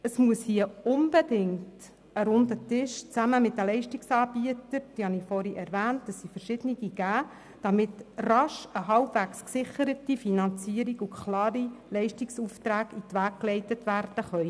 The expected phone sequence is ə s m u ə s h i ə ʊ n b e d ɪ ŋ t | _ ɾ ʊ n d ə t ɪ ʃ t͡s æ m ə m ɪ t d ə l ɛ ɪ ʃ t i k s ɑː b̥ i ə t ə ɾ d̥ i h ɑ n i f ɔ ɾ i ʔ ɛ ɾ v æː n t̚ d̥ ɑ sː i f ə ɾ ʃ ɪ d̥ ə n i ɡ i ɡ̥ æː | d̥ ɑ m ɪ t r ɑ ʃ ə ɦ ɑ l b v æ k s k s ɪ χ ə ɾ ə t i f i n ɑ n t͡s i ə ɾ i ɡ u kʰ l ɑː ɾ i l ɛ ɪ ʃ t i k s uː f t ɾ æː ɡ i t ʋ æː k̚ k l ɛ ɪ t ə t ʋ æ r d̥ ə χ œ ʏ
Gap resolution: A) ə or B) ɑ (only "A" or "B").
A